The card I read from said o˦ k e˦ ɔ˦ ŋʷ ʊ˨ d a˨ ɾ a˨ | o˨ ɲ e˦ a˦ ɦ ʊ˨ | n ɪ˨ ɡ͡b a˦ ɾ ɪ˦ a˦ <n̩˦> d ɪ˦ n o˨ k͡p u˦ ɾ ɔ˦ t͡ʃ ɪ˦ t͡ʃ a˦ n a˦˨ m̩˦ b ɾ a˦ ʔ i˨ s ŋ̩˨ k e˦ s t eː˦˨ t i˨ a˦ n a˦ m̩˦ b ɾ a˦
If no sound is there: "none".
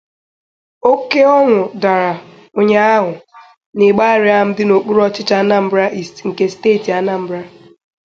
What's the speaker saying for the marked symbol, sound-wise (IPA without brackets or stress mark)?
m̩˦